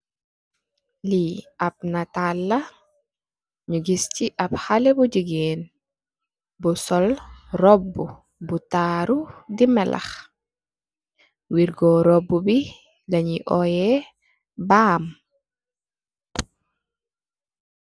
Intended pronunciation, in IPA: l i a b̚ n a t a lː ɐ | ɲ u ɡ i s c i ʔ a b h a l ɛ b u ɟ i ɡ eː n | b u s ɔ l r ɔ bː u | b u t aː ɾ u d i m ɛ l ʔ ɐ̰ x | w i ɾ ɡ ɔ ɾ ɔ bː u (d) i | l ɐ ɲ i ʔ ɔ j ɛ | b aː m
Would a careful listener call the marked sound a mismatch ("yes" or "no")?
yes